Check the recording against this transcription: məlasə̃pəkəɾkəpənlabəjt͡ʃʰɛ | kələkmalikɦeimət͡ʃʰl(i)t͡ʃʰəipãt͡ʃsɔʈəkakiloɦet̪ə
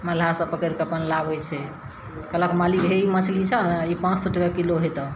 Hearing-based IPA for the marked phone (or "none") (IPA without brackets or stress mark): i